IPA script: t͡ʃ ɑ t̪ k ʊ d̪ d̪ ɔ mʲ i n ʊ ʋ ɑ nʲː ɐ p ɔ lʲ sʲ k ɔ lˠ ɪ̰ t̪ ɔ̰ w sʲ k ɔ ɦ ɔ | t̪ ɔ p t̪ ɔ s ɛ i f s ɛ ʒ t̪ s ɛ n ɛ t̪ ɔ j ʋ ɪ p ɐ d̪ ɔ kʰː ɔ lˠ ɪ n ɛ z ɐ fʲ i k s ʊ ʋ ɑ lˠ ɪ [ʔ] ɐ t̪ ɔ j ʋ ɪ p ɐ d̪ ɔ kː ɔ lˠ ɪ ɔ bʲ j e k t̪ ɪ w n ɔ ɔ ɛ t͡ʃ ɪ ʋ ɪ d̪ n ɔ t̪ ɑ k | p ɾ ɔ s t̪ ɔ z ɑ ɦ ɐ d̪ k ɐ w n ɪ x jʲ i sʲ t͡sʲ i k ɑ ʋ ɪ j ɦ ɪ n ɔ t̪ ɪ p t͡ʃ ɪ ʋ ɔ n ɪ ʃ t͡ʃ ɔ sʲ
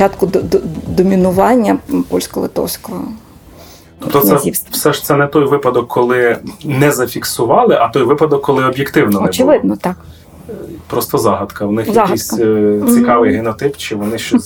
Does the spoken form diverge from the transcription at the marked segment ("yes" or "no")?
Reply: no